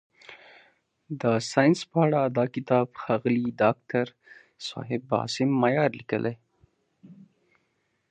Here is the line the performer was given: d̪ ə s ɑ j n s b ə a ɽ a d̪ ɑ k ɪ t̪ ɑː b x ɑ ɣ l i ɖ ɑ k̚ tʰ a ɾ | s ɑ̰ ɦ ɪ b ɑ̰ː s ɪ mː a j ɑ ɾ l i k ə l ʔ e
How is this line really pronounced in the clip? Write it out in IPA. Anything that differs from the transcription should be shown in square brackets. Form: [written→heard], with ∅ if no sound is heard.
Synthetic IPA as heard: d̪ ə s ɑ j n s [b→p] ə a ɽ a d̪ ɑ k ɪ t̪ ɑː b x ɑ ɣ l i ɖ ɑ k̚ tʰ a ɾ | s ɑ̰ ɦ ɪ b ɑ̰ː s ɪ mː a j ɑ ɾ l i k ə l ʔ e

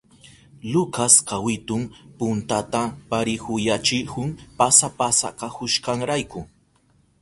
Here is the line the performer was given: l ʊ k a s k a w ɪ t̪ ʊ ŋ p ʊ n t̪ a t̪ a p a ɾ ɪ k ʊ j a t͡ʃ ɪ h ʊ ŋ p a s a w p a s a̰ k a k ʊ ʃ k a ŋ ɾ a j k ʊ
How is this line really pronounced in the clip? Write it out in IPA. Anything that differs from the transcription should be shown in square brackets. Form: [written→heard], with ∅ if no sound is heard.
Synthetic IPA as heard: l ʊ k a s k a w ɪ t̪ ʊ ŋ p ʊ n t̪ a t̪ a p a ɾ ɪ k ʊ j a t͡ʃ ɪ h ʊ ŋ p a s a [w→∅] p a s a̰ k a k ʊ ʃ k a ŋ ɾ a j k ʊ

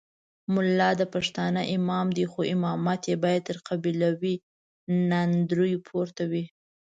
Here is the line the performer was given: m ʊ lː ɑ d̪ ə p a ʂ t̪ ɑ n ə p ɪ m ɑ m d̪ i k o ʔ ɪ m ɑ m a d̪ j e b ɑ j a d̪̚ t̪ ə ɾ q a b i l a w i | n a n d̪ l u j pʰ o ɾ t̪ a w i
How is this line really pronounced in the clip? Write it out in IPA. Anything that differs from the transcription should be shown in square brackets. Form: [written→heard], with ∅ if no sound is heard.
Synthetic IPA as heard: m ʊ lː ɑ d̪ ə p a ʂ t̪ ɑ n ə [p→ʔ] ɪ m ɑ m d̪ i [k→x] o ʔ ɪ m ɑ m a [d̪→t̪] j e b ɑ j a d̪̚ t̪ ə ɾ q a b i l a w i | n a n d̪ [l→ɾ] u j pʰ o ɾ t̪ a w i

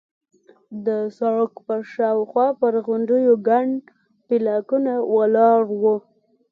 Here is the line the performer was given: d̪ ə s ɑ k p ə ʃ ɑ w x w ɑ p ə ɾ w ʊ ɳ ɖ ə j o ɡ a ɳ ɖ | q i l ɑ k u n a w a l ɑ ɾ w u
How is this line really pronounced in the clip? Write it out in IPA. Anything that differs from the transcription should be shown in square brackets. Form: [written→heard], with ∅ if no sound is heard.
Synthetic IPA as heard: d̪ ə s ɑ k p ə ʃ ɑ w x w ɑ p ə ɾ [w→ɣ] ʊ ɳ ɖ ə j o ɡ a ɳ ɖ | [q→p] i l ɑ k u n a w a l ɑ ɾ w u

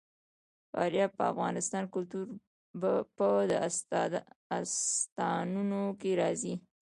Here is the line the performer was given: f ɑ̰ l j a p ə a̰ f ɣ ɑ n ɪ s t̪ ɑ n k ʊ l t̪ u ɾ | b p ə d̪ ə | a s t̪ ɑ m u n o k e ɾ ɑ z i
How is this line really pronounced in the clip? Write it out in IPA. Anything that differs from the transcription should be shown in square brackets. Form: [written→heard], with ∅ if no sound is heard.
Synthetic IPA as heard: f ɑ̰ [l→ɾ] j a p ə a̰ f ɣ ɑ n ɪ s t̪ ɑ n k ʊ l t̪ u ɾ | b p ə d̪ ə | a s t̪ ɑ [m→n] u n o k e ɾ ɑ z i

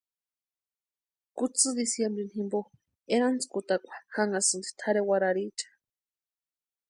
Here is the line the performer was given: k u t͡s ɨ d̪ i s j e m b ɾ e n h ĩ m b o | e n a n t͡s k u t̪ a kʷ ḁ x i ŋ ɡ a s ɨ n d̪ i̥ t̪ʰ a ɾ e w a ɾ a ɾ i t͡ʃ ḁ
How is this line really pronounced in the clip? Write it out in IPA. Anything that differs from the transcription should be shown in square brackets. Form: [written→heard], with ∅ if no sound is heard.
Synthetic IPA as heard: k u t͡s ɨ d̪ i s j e m b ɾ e n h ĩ m b o | e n a n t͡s k u t̪ a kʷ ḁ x [i→a] ŋ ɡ a s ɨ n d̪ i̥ t̪ʰ a ɾ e w a ɾ a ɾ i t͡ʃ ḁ

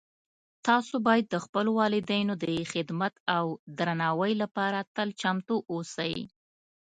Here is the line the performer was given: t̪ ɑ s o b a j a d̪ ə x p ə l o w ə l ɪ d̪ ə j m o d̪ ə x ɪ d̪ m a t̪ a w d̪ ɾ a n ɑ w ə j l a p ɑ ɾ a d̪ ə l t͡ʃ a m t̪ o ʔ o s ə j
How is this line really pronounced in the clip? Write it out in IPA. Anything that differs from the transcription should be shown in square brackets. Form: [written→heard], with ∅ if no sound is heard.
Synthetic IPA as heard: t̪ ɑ s o b [a→ɑ] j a [d̪→d̪ː] ə x p ə l o w [ə→ɑ] l ɪ d̪ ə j [m→n] o d̪ ə x ɪ d̪ m a t̪ a w d̪ ɾ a n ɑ w ə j l a p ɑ ɾ a [d̪→t̪] ə l t͡ʃ a m t̪ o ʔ o s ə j

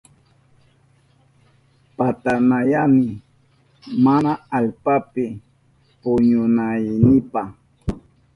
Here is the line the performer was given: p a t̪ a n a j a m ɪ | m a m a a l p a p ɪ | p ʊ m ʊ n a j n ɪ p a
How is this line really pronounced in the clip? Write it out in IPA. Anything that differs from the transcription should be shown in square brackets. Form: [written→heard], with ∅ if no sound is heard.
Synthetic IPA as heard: p a t̪ a n a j a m ɪ | m a [m→n] a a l p a p ɪ | p ʊ [m→ɲ] ʊ n a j n ɪ p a

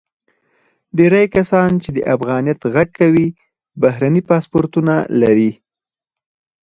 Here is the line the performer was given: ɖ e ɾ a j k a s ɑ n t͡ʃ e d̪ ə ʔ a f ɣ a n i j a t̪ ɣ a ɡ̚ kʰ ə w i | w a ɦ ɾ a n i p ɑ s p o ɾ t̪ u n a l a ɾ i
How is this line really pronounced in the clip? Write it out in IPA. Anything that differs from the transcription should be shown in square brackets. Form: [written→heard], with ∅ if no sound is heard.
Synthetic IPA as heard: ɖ e ɾ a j k a s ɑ n t͡ʃ e d̪ ə ʔ a f ɣ [a→ɑ] n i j a t̪ ɣ a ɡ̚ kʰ [ə→a] w i | [w→b] a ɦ ɾ a n i p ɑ s p o ɾ t̪ u n a l a ɾ i

